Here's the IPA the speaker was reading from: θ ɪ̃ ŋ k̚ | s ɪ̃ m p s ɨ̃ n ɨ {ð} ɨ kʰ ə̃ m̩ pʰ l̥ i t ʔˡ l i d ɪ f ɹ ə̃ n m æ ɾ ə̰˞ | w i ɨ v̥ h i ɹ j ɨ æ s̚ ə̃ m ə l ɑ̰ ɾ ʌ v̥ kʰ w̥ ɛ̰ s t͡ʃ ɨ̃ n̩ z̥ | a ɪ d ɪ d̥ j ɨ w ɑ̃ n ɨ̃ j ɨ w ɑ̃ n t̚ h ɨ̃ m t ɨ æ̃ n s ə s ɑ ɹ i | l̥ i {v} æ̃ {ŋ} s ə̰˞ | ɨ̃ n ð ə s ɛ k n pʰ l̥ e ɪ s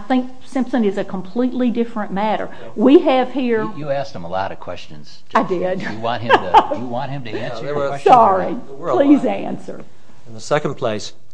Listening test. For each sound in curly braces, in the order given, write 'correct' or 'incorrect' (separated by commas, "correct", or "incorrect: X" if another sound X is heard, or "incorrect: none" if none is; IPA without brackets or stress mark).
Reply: incorrect: z, incorrect: z, incorrect: n